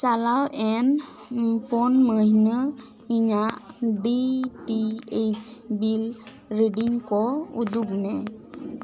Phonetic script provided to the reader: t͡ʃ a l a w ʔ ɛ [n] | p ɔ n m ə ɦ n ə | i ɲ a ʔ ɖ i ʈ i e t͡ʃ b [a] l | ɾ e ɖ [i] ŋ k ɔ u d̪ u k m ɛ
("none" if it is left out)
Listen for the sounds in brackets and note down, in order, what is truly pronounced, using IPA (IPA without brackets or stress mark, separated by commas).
n, i, i